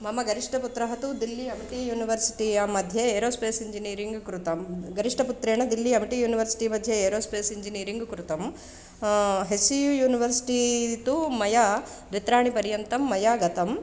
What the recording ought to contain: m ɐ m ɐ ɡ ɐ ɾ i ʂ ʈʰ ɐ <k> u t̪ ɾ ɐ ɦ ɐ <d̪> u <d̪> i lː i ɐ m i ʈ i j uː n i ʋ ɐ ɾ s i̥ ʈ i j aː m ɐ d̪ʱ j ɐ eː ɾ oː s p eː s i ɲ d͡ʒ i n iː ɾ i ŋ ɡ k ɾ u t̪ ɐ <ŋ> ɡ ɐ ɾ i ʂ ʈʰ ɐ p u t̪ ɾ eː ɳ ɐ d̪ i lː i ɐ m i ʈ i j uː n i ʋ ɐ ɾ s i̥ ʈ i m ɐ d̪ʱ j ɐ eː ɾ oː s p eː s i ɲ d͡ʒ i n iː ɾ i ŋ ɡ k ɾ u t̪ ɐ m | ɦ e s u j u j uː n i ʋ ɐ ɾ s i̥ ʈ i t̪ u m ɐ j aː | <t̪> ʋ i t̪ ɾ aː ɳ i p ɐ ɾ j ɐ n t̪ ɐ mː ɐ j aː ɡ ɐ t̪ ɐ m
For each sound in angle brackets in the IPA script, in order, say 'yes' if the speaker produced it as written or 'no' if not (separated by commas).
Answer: no, no, yes, no, no